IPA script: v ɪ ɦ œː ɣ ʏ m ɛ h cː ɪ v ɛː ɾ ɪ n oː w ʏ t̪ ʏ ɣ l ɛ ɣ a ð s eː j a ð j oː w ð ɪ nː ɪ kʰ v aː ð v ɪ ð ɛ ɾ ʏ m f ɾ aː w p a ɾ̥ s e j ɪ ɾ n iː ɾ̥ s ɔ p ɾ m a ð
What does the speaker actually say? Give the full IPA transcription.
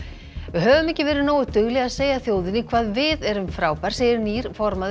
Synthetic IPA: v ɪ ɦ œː v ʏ m ɛ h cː ɪ v ɛː ɾ ɪ n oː w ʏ t̪ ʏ ɣ l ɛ ɣ a ð s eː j a θ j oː w ð ɪ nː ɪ kʰ v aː ð v ɪ ð ɛ ɾ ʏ m f ɾ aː w p a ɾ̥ s e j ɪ ɾ n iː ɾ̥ f ɔ ɾ m a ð